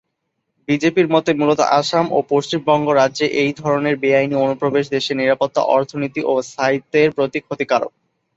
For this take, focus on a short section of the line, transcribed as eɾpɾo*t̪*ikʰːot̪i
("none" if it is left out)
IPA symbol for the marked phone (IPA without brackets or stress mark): t̪